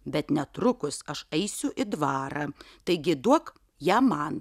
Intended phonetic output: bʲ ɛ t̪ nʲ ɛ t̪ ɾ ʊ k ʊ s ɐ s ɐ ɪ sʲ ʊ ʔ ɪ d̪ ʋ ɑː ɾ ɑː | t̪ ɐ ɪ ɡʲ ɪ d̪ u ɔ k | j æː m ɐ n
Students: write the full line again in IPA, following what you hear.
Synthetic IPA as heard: bʲ ɛ t̪ nʲ ɛ t̪ ɾ ʊ k ʊ s ɐ ʃ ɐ ɪ sʲ ʊ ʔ ɪ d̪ ʋ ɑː ɾ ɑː | t̪ ɐ ɪ ɡʲ ɪ d̪ u ɔ k | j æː m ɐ n